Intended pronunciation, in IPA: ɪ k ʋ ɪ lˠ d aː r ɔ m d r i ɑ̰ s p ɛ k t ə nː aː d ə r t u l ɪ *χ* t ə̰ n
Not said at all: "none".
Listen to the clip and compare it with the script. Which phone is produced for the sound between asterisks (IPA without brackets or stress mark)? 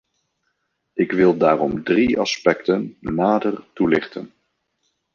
χ